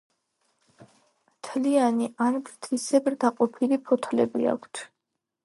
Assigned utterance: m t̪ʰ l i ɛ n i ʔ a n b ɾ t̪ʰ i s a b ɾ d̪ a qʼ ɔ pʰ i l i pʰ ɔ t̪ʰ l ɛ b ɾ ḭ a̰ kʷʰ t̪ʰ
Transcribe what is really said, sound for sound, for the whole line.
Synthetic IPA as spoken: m t̪ʰ l i a n i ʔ a n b ɾ t̪ʰ i s ɛ b ɾ d̪ a qʼ ɔ pʰ i l i pʰ ɔ t̪ʰ l ɛ b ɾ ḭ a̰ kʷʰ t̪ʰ